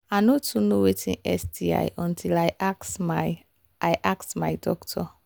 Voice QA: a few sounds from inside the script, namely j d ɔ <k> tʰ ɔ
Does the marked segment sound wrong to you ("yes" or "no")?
no